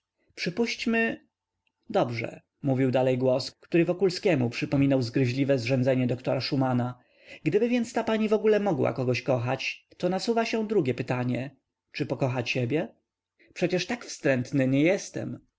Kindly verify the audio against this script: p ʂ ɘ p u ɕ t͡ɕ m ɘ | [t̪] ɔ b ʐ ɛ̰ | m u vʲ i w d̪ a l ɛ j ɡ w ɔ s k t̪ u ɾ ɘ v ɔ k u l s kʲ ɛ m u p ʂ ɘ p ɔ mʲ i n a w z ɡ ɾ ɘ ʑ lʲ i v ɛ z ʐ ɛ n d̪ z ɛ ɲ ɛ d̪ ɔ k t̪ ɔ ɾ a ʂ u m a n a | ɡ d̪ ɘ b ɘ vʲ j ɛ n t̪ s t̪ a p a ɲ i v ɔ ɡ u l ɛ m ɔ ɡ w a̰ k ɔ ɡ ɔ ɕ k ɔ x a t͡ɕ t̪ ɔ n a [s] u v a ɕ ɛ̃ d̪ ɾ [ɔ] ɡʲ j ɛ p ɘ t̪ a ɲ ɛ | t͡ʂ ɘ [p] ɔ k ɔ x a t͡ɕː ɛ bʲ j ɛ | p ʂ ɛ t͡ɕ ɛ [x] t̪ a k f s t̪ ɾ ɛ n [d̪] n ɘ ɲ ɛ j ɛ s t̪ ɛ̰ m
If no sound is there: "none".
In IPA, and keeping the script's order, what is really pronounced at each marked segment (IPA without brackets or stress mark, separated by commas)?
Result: d̪, s, u, p, ʂ, t̪